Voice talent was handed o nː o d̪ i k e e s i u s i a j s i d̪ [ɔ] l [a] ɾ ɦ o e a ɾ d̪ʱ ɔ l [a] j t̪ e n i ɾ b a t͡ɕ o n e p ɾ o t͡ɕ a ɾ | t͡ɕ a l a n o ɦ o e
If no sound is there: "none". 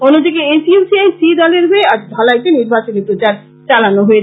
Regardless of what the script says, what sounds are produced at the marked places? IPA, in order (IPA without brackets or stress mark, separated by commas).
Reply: ɔ, e, a